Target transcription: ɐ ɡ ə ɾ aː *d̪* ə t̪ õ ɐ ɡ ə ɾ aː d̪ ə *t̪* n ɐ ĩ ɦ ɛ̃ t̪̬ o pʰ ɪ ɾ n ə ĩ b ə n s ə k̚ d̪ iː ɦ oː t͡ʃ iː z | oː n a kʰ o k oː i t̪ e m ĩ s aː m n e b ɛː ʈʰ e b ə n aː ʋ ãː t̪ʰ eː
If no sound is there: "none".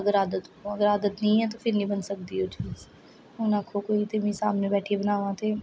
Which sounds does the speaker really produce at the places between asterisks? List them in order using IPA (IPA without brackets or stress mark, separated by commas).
d̪, t̪